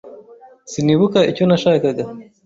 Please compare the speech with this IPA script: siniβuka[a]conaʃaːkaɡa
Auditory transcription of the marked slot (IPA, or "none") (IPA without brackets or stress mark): i